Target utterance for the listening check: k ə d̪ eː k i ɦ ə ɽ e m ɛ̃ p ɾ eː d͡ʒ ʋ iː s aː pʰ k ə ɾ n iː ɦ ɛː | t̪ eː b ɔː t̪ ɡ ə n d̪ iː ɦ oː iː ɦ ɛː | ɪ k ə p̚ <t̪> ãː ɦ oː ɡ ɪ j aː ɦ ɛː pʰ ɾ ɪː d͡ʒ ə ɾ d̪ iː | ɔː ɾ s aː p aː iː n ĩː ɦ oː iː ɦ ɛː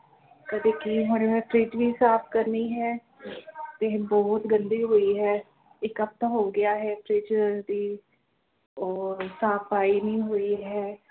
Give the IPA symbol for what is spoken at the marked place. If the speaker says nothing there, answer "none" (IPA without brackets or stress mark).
t̪